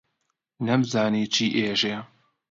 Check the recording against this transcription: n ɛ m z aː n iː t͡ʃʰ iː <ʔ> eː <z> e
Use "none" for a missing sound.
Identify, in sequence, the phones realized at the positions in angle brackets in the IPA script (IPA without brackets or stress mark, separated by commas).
ʔ, ʒ